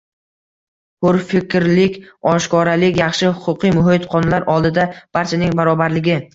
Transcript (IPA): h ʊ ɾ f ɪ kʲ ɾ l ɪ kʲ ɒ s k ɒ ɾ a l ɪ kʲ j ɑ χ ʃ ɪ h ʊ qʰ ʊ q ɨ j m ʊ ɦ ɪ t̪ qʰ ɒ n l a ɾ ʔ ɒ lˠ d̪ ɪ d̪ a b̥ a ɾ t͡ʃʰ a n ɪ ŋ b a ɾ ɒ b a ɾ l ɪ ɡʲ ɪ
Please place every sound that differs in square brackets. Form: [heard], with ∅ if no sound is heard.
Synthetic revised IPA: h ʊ ɾ f ɪ kʲ ɾ l ɪ kʲ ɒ [ʃ] k ɒ ɾ a l ɪ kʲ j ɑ χ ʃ ɪ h ʊ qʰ ʊ q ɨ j m ʊ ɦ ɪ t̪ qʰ ɒ n l a ɾ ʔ ɒ lˠ d̪ ɪ d̪ a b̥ a ɾ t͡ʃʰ a n ɪ ŋ b a ɾ ɒ b a ɾ l ɪ ɡʲ ɪ